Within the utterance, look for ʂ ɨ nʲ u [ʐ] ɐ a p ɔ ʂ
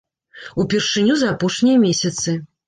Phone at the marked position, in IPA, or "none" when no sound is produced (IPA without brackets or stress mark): z